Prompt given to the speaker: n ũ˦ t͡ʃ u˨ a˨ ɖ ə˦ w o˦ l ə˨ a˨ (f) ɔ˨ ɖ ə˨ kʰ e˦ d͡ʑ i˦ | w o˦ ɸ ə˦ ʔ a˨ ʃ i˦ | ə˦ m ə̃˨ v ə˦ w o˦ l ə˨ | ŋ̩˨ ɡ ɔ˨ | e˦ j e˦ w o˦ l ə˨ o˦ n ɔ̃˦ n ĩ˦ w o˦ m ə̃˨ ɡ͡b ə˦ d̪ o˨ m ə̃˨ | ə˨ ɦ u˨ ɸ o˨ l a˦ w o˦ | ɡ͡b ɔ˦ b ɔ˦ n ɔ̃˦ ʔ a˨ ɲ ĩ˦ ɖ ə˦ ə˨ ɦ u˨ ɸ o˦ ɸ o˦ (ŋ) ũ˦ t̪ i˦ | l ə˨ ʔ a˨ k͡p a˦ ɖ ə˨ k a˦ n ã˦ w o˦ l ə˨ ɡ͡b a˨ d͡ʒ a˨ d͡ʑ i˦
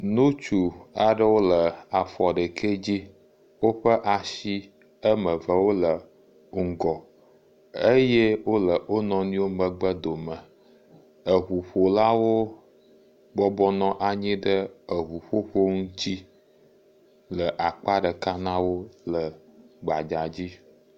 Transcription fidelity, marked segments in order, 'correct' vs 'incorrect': correct, correct

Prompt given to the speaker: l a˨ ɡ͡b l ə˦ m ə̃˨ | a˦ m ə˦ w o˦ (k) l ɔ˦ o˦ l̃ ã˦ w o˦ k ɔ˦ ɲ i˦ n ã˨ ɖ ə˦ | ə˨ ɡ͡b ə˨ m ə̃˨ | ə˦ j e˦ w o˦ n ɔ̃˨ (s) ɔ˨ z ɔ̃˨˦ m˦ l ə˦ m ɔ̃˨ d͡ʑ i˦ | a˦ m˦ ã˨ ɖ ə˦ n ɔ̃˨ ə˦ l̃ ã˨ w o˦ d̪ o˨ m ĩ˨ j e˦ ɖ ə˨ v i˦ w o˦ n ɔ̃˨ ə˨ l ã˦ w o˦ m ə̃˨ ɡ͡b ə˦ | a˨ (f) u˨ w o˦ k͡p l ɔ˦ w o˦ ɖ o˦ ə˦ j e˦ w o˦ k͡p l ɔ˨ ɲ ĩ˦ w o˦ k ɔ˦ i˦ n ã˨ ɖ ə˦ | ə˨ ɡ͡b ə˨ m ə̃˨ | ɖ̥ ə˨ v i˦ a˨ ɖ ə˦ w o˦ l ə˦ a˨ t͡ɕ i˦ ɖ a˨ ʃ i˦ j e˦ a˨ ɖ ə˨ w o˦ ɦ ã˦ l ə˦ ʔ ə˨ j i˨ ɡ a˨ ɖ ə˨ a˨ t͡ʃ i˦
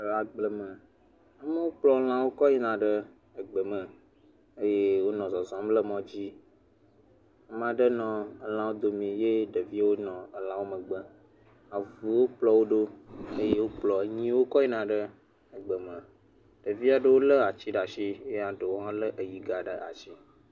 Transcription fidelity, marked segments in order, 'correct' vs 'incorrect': incorrect: k͡p, incorrect: z, incorrect: v

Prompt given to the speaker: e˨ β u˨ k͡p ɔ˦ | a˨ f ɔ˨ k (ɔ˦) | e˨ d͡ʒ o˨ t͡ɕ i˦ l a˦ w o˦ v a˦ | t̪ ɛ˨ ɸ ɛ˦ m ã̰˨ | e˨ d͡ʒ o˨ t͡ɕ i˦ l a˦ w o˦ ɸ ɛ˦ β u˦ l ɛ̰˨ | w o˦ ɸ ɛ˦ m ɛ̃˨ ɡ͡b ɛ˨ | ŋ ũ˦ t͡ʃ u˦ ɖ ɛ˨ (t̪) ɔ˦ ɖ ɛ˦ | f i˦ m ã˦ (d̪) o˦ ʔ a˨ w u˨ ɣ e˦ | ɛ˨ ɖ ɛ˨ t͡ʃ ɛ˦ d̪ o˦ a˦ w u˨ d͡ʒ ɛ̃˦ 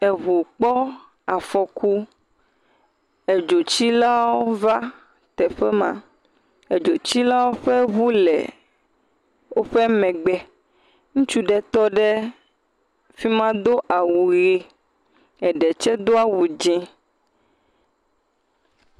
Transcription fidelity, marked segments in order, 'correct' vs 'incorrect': incorrect: u˦, correct, correct

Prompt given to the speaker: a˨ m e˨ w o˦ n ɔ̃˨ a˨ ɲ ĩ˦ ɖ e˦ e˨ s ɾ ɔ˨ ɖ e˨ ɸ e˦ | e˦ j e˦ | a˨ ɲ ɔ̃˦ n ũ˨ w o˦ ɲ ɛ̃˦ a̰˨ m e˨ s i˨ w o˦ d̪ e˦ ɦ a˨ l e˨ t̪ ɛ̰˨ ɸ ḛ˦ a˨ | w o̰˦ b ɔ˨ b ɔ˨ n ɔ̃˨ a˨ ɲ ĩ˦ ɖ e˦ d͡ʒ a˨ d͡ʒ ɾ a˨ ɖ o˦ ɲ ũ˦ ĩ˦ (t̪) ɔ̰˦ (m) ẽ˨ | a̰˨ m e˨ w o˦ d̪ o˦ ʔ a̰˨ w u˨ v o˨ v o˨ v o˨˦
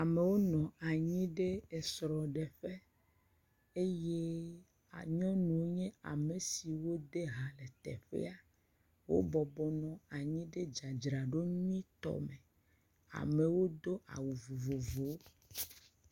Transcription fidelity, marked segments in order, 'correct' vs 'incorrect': correct, correct

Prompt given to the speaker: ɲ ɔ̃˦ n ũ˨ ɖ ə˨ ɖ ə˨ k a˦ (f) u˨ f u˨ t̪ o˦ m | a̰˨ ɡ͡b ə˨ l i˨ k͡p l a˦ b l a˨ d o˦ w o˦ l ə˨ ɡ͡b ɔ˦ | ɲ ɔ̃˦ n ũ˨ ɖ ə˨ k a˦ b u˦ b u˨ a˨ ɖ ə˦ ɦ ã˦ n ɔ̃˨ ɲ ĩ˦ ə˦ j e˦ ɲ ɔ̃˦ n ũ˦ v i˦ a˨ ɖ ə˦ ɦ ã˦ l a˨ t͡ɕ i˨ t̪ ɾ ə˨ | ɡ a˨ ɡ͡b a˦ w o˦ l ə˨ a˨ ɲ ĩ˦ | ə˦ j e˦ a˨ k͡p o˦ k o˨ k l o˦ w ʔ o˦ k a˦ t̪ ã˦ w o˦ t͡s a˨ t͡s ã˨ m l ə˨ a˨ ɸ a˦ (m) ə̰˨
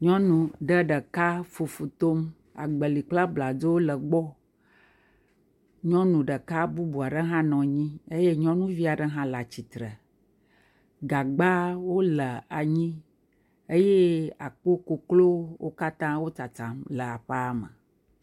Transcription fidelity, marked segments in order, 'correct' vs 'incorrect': correct, correct

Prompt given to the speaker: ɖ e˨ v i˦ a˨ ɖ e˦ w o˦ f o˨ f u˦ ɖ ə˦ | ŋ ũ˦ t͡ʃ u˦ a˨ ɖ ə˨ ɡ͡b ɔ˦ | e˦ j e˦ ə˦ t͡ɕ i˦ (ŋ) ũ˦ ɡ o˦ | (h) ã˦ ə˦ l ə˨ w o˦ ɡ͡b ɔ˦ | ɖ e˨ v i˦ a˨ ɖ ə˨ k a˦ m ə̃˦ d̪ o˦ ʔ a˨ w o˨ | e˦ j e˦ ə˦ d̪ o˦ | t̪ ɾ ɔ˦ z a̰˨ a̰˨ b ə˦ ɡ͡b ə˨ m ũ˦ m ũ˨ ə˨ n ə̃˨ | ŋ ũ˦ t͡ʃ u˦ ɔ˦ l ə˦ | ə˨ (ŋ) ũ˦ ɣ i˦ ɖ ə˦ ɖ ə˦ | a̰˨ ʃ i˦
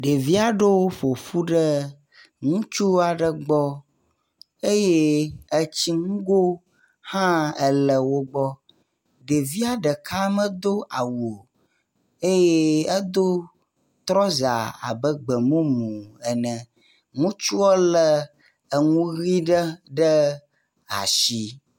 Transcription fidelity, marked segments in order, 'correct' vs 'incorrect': correct, correct, correct

